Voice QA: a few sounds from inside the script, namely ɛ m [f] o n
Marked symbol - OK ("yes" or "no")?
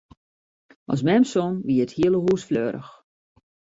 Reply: no